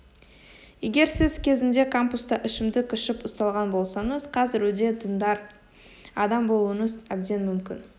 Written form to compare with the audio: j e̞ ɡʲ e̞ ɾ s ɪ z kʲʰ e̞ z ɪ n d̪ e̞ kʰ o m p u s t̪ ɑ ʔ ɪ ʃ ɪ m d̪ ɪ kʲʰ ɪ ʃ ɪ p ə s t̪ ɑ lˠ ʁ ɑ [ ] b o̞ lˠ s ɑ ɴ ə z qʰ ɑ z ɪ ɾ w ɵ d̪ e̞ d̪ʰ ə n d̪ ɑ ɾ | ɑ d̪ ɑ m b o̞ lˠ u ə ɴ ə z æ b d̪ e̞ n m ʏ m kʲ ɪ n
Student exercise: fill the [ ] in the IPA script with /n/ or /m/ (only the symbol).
n